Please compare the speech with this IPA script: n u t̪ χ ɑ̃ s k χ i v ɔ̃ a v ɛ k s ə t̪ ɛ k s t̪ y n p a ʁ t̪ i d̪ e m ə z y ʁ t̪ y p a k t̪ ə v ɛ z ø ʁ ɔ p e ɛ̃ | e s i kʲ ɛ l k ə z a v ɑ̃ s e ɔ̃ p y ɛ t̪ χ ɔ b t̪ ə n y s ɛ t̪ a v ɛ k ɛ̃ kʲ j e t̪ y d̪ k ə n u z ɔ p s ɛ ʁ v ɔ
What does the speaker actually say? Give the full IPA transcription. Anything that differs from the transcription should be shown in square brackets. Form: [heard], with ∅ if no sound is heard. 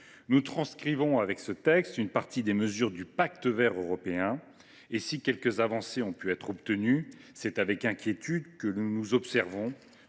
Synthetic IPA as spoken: n u t̪ χ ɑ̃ s k χ i v ɔ̃ a v ɛ k s ə t̪ ɛ k s t̪ y n p a ʁ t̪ i d̪ e m ə z y ʁ [d̪] y p a k t̪ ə v ɛ [ʁ] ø ʁ ɔ p e ɛ̃ | e s i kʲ ɛ l k ə z a v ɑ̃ s e ɔ̃ p y ɛ t̪ χ ɔ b t̪ ə n y s ɛ t̪ a v ɛ k ɛ̃ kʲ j e t̪ y d̪ k ə n u z ɔ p s ɛ ʁ v [ɔ̃]

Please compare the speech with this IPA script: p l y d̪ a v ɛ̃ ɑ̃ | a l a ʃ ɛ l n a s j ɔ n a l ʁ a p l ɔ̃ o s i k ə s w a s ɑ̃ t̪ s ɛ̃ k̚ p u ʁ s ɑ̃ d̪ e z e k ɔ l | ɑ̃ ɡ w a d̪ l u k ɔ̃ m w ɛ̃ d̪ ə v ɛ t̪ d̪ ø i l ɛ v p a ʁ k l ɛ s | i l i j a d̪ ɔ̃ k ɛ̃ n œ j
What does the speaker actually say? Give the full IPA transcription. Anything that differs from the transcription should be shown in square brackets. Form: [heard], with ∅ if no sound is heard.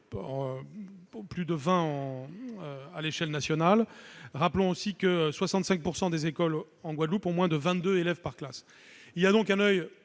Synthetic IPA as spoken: p l y d̪ [ə] v ɛ̃ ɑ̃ | a l [e] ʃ ɛ l n a s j ɔ n a l ʁ a p l ɔ̃ o s i k ə s w a s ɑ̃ t̪ s ɛ̃ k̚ p u ʁ s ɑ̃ d̪ e z e k ɔ l | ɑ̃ ɡ w a d̪ l u [p] ɔ̃ m w ɛ̃ d̪ ə v [ɛ̃] t̪ d̪ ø [e] l ɛ v p a ʁ k l [a] s | i l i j a d̪ ɔ̃ k ɛ̃ n œ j

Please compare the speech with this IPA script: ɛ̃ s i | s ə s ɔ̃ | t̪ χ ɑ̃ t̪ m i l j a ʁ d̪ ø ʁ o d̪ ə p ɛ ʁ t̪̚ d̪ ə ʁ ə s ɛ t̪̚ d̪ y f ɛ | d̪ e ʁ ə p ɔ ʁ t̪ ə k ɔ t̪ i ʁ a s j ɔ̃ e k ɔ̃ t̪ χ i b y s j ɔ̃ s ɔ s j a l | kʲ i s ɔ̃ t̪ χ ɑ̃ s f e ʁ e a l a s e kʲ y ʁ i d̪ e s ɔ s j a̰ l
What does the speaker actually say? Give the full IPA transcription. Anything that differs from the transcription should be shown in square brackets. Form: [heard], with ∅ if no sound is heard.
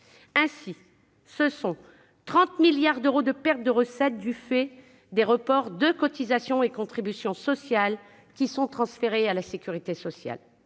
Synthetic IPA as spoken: ɛ̃ s i | s ə s ɔ̃ | t̪ χ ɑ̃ t̪ m i l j a ʁ d̪ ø ʁ o d̪ ə p ɛ ʁ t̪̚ d̪ ə ʁ ə s ɛ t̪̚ d̪ y f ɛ | d̪ e ʁ ə p ɔ ʁ [d̪] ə k ɔ t̪ i [z] a s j ɔ̃ e k ɔ̃ t̪ χ i b y s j ɔ̃ s ɔ s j a l | kʲ i s ɔ̃ t̪ χ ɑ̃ s f e ʁ e a l a s e kʲ y ʁ i [t̪] e s ɔ s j a̰ l

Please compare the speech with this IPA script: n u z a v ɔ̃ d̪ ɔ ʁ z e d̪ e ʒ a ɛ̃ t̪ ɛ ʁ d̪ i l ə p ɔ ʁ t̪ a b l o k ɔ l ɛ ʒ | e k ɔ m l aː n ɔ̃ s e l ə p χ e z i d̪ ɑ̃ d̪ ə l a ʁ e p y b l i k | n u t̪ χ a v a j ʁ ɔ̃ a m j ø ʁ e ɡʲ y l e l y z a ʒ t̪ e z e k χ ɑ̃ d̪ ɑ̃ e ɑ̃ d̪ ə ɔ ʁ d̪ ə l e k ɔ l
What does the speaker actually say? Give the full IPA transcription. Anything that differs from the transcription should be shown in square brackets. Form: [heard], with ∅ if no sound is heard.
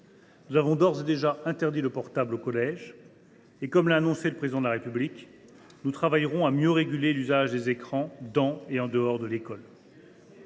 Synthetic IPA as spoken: n u z a v ɔ̃ d̪ ɔ ʁ z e d̪ e ʒ a ɛ̃ t̪ ɛ ʁ d̪ i l ə p ɔ ʁ t̪ a b l o k ɔ l ɛ ʒ | e k ɔ m l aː n ɔ̃ s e l ə p χ e z i d̪ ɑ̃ d̪ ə l a ʁ e p y b l i k | n u t̪ χ a v a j ʁ ɔ̃ a m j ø ʁ e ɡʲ y l e l y z a ʒ [d̪] e z e k χ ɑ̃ d̪ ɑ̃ e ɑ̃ d̪ ə ɔ ʁ d̪ ə l e k ɔ l

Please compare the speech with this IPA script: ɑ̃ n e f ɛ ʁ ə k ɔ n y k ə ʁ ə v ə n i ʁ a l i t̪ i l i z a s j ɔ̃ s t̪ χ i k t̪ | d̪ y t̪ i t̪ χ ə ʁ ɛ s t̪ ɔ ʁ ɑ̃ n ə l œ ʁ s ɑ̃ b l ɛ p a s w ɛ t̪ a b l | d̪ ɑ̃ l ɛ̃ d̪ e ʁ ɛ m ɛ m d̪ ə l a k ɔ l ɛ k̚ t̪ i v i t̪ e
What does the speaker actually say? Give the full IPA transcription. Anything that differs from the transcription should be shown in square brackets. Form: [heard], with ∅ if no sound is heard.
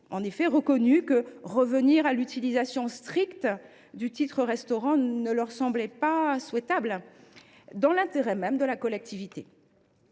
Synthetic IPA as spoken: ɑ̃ n e f ɛ ʁ ə k ɔ n y k ə ʁ ə v ə n i ʁ a l [y] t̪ i l i z a s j ɔ̃ s t̪ χ i k t̪ | d̪ y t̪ i t̪ χ ə ʁ ɛ s t̪ ɔ ʁ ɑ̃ n ə l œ ʁ s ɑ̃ b l ɛ p a s w ɛ t̪ a b l | d̪ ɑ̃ l ɛ̃ [t̪] e ʁ ɛ m ɛ m d̪ ə l a k ɔ l ɛ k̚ t̪ i v i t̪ e

